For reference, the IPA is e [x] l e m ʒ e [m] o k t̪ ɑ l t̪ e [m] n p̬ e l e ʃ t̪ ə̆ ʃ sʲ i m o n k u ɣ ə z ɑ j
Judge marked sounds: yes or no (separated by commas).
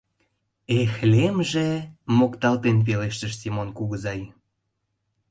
yes, yes, no